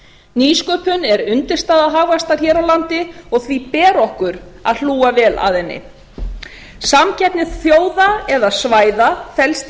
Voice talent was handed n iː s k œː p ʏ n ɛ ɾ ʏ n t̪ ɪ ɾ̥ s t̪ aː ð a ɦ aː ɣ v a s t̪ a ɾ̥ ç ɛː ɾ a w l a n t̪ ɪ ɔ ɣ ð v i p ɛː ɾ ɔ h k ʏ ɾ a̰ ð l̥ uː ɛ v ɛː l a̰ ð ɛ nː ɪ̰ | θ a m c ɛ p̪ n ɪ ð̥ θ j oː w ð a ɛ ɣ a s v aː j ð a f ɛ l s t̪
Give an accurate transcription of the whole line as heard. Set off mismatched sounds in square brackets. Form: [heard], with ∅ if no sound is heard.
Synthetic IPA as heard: n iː s k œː p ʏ n ɛ ɾ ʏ n t̪ ɪ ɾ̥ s t̪ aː ð a ɦ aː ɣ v a s t̪ a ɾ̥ ç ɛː ɾ a w l a n t̪ ɪ ɔ ɣ [θ] v i p ɛː ɾ ɔ h k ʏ ɾ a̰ ð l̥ uː [a] v ɛː l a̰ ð ɛ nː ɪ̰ | [s] a m c ɛ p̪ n ɪ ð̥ θ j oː w ð a ɛ [ð] a s v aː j ð a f ɛ l s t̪